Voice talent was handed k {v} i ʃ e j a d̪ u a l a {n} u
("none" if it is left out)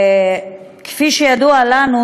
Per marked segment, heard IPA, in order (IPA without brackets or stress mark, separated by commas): f, n